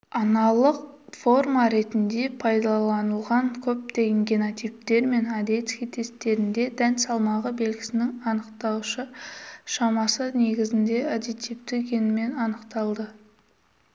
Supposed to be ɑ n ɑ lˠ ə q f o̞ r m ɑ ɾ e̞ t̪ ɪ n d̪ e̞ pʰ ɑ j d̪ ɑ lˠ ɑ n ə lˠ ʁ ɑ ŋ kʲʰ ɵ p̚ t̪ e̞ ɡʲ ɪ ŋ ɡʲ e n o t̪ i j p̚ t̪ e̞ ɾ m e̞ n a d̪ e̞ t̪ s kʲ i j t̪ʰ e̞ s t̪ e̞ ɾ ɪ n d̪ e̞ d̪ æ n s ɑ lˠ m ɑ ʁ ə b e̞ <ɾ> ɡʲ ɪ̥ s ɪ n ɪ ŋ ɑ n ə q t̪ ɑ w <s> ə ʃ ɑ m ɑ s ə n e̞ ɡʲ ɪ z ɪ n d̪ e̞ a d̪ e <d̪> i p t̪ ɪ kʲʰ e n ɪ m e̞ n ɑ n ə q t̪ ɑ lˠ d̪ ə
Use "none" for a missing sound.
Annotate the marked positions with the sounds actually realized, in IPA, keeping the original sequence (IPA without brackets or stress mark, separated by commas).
l, ʃ, t̪